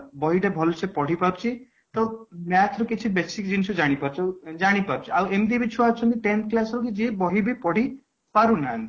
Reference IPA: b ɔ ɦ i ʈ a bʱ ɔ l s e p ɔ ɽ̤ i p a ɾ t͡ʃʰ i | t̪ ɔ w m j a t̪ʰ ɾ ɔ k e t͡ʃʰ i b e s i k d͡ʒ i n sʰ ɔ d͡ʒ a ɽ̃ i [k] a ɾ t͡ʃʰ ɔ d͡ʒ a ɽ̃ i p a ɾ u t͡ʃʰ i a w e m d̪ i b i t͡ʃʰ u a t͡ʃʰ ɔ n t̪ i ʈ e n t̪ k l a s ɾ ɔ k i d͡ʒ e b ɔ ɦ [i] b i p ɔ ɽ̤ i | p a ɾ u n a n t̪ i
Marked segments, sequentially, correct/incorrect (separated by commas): incorrect, correct